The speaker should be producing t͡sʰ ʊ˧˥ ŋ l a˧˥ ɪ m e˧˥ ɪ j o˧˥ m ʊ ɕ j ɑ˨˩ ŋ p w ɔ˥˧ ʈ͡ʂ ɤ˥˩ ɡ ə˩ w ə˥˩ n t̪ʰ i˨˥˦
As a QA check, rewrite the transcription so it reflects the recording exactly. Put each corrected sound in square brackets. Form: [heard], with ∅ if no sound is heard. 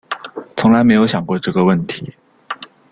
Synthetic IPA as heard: t͡sʰ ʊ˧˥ ŋ l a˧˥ ɪ m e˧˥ ɪ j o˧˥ [∅] ʊ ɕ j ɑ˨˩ ŋ [k] w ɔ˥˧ ʈ͡ʂ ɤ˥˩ ɡ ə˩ w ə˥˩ n t̪ʰ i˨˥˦